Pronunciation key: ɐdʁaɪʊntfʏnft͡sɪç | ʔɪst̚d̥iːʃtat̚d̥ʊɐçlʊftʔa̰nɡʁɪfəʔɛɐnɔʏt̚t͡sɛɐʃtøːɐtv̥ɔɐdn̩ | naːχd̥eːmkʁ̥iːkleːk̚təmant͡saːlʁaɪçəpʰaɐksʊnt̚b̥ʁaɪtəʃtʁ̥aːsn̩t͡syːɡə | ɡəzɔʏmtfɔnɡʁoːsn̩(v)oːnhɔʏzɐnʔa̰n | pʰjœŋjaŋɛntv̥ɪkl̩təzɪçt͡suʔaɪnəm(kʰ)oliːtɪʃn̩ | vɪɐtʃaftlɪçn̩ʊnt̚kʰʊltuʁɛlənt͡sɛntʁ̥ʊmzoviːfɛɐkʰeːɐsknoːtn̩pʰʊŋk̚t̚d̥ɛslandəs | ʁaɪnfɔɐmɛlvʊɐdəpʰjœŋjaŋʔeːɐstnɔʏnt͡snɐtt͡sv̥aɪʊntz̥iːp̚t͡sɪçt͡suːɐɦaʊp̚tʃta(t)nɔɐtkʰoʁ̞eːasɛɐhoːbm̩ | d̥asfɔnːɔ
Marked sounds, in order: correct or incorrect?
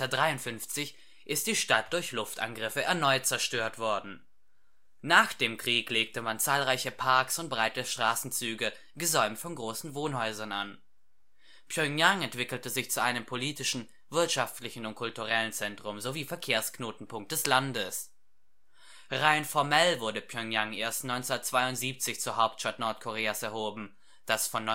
correct, incorrect: pʰ, correct

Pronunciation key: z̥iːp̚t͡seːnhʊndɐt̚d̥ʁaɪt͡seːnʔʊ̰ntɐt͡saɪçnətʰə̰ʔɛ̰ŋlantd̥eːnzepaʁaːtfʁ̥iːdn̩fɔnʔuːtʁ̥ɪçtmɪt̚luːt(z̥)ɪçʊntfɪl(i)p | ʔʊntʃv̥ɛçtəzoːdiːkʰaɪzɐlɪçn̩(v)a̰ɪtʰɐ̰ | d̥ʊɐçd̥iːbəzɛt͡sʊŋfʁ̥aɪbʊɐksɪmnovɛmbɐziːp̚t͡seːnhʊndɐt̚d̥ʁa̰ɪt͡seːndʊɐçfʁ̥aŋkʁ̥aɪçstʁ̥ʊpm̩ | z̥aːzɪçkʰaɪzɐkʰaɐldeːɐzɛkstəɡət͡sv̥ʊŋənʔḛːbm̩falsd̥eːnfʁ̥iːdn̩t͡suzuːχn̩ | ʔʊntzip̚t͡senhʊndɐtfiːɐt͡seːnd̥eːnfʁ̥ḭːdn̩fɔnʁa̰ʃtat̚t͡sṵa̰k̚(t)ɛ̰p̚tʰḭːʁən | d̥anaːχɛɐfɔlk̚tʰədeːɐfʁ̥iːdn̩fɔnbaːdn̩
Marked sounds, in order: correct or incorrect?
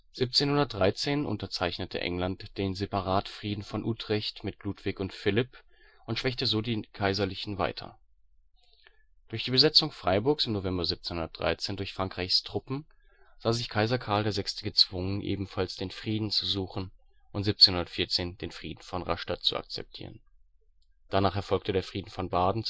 incorrect: v̥, incorrect: ɪ, correct, incorrect: t͡s

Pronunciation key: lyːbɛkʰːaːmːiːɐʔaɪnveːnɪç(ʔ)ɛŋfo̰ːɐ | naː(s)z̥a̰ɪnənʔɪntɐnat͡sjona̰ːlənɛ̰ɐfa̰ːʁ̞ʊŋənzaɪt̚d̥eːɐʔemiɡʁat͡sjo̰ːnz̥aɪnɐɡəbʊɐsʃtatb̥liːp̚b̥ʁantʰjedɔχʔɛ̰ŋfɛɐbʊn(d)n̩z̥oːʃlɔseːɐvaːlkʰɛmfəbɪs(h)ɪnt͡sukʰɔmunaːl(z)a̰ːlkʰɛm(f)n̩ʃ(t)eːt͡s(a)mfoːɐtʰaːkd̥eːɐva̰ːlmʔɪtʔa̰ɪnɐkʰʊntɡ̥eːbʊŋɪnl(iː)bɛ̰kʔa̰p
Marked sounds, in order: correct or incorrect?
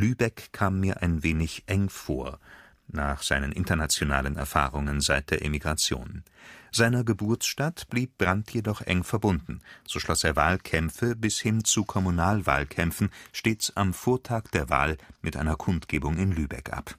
correct, incorrect: χ, correct, correct, incorrect: v, correct, correct, correct, incorrect: yː

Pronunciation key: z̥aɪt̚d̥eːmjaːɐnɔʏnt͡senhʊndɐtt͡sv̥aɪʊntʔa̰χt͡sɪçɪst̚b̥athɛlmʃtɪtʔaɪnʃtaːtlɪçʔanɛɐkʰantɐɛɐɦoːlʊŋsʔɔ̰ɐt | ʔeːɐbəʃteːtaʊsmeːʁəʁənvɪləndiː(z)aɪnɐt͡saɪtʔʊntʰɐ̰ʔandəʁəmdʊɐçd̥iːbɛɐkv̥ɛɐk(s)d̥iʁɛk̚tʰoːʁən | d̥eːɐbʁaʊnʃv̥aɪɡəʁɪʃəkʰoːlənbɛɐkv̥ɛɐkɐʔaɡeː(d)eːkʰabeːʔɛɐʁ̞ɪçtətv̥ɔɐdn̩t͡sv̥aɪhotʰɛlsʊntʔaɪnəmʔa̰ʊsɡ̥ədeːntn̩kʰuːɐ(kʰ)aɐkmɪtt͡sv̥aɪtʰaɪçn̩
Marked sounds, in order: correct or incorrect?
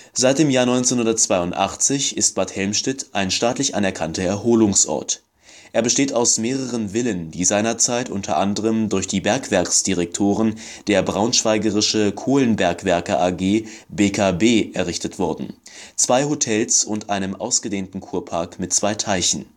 correct, correct, incorrect: b, incorrect: pʰ

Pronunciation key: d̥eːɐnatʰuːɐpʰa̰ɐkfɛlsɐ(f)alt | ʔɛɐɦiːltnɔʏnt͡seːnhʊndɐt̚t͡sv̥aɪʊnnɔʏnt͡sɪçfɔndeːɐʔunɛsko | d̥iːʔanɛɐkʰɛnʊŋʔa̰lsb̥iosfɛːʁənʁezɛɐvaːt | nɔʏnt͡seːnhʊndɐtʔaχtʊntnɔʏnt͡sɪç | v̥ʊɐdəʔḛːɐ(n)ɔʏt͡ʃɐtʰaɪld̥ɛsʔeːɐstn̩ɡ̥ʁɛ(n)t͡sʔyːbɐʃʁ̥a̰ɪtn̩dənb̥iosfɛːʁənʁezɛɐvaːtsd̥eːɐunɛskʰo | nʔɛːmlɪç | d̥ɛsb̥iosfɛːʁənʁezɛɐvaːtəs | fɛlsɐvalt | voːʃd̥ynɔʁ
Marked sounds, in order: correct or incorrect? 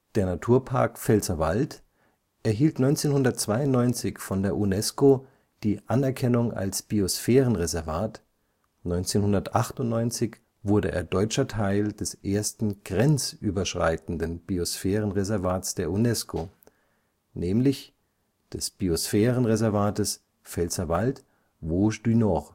incorrect: v, incorrect: d, correct

